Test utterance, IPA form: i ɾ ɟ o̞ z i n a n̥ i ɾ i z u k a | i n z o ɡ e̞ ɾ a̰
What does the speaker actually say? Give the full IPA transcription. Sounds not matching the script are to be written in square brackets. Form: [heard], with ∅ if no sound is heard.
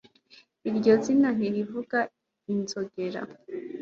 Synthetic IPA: i ɾ ɟ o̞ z i n a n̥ i ɾ i [v] u [ɡ] a | i n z o ɡ e̞ ɾ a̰